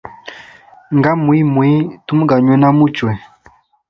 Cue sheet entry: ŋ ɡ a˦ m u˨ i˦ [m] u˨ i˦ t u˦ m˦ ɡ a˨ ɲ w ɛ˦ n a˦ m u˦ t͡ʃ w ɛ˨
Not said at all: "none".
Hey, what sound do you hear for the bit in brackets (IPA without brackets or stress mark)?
m